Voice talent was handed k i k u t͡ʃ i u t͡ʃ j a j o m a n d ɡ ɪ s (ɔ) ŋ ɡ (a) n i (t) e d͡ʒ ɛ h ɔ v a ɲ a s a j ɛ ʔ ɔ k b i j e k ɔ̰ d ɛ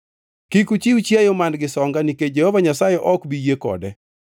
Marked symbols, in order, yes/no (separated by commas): yes, yes, no